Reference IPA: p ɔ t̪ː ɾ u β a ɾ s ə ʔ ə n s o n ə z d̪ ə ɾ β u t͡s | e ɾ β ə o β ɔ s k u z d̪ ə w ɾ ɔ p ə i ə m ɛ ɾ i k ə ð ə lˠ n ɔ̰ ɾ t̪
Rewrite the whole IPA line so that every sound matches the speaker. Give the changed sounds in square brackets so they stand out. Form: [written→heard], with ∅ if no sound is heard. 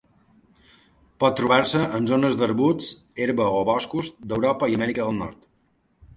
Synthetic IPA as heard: p ɔ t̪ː ɾ u β a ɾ s ə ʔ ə n [s→z] o n ə z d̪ ə ɾ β u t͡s | e ɾ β ə o β ɔ s k u z d̪ ə w ɾ ɔ p ə i ə m ɛ ɾ i k ə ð ə lˠ n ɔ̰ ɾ t̪